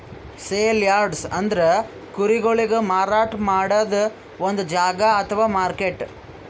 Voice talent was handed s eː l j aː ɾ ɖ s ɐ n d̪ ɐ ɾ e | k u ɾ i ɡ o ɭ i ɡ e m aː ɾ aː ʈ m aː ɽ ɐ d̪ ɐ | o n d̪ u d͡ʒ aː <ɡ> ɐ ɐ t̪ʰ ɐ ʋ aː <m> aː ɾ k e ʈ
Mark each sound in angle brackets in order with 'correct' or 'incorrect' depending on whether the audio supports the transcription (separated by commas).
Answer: correct, correct